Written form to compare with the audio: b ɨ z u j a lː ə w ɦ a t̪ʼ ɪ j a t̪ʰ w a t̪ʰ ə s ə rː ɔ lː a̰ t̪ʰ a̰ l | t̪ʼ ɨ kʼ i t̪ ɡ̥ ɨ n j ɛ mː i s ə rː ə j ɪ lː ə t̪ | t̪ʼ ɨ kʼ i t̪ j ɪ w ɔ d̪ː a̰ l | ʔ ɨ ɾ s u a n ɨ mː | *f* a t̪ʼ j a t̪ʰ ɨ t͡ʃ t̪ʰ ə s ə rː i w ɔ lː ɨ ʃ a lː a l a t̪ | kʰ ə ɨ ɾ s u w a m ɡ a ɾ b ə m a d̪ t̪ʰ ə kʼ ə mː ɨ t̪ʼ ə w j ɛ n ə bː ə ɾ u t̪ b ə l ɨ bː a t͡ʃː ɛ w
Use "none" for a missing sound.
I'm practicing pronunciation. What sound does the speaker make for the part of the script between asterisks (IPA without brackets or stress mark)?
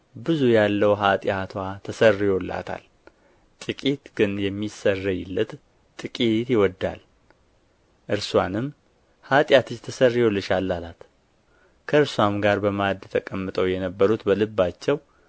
h